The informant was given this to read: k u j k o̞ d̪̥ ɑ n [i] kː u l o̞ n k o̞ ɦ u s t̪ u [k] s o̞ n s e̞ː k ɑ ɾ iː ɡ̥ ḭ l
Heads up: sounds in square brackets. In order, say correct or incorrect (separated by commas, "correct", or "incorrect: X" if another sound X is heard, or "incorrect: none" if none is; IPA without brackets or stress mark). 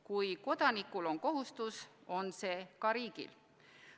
correct, incorrect: none